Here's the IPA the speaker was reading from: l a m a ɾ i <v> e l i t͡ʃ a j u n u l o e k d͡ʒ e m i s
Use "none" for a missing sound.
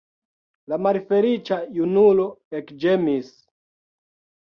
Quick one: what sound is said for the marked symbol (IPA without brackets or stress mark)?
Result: f